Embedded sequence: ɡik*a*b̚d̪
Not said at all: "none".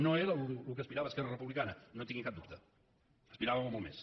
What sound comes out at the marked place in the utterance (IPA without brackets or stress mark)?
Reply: a